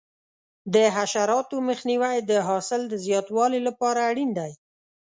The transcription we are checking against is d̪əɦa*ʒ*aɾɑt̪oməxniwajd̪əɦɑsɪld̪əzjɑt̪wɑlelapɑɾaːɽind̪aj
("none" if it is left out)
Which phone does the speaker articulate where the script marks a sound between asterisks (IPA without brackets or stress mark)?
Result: ʃ